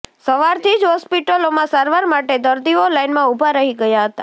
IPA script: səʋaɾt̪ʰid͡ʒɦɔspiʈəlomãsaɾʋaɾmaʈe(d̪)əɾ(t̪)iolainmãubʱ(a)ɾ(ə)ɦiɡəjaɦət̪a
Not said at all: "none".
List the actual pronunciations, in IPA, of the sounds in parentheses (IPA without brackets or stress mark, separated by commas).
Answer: d̪, d̪, a, ə